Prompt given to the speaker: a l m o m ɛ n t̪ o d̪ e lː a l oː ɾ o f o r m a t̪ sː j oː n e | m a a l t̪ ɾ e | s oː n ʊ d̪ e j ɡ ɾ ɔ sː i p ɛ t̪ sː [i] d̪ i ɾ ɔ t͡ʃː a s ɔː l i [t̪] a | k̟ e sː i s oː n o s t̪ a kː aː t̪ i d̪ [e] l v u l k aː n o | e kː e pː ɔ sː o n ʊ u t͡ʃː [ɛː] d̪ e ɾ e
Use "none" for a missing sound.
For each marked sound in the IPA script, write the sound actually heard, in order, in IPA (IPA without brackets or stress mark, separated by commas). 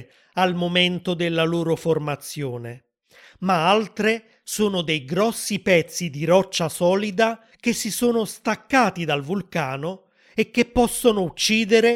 i, d̪, a, iː